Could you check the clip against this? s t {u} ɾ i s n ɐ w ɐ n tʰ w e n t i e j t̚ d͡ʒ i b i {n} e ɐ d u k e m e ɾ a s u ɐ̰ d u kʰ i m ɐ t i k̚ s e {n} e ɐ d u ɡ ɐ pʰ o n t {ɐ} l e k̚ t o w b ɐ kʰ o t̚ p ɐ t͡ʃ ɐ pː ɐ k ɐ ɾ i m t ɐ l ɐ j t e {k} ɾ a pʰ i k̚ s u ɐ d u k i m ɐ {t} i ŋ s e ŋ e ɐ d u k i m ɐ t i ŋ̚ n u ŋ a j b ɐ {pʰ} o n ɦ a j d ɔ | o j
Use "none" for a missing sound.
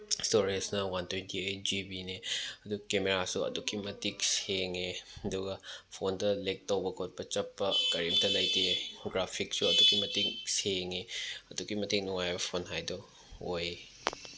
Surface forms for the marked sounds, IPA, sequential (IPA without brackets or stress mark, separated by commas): o, n, ŋ, ɐ, ɡ, t, pʰ